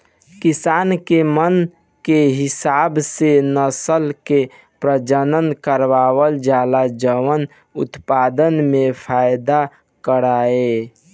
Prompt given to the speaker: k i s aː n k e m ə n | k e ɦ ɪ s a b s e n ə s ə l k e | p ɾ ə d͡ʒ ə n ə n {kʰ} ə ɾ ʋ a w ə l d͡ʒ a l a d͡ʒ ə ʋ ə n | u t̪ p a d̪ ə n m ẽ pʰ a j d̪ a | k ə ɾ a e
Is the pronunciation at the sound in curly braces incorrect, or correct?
incorrect